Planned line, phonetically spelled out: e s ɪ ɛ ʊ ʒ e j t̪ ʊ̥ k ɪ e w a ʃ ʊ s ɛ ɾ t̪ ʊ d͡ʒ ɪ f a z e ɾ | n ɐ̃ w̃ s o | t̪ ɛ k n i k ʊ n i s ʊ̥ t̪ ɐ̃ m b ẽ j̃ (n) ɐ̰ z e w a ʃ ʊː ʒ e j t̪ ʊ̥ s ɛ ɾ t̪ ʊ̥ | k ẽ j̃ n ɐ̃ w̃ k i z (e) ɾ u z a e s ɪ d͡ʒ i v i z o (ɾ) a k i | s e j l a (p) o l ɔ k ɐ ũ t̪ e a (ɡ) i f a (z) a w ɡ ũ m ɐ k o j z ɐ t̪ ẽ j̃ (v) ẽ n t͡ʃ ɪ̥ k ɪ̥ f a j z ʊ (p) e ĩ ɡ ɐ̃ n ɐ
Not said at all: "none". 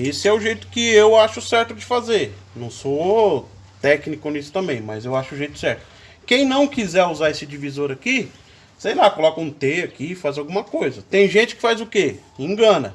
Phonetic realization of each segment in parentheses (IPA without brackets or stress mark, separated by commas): m, ɛ, ɾ, k, k, z, ʒ, k